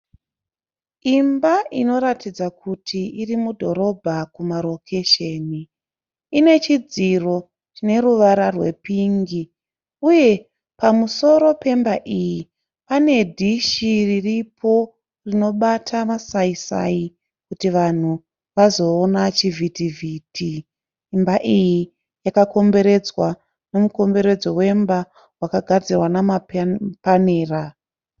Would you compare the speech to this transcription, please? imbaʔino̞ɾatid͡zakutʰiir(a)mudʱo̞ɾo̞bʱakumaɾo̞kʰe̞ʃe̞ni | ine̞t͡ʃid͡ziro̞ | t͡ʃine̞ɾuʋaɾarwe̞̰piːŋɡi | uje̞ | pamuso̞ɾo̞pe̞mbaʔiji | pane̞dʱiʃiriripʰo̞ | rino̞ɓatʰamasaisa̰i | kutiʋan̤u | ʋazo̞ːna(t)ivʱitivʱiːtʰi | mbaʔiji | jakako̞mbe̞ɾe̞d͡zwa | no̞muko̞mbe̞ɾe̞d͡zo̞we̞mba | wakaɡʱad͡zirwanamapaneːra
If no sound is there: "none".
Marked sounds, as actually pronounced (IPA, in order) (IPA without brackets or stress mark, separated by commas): i, t͡ʃ